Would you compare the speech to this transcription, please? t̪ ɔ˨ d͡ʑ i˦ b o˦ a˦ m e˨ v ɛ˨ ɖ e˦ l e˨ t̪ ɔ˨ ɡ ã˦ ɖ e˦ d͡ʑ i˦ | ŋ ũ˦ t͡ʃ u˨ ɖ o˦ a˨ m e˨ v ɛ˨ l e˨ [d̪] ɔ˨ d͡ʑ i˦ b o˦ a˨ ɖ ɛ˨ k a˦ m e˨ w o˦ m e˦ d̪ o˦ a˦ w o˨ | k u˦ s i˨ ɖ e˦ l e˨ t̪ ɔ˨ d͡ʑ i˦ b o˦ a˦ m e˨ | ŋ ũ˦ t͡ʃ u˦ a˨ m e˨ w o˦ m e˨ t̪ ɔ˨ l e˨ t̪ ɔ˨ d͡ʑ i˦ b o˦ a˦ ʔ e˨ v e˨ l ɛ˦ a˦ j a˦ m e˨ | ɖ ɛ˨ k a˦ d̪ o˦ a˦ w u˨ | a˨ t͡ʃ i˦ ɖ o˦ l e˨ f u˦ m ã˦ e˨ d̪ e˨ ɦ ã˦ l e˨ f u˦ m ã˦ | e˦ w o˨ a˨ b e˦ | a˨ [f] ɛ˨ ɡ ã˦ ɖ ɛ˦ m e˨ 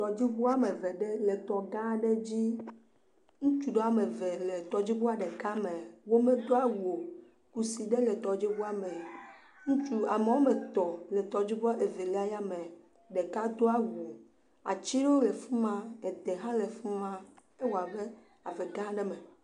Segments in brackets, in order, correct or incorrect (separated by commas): incorrect, incorrect